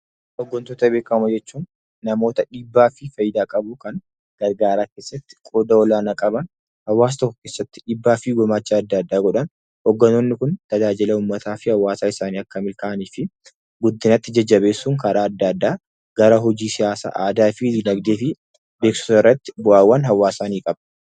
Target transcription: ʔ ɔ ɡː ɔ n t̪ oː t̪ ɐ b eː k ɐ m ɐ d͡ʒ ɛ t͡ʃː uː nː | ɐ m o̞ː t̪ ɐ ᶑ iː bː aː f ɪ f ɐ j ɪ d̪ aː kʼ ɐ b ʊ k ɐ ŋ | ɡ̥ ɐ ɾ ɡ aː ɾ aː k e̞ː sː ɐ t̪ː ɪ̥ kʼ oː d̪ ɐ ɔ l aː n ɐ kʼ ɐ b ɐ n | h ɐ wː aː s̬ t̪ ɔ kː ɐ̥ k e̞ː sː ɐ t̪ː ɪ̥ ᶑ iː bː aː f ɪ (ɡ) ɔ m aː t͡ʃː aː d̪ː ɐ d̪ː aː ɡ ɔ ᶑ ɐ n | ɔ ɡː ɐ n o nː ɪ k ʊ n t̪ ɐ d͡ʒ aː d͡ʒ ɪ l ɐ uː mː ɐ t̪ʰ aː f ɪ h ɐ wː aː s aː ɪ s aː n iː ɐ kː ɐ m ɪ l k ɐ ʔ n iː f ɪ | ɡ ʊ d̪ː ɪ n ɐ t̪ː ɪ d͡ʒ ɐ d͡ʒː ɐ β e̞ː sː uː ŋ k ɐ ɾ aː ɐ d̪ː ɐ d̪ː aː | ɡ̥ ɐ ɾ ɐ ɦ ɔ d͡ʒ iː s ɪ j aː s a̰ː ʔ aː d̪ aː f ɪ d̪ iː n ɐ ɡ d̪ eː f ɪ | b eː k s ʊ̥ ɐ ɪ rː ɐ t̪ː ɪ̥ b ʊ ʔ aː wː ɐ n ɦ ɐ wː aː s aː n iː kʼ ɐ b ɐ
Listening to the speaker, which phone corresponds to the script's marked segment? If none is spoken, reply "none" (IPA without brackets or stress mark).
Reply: ɡ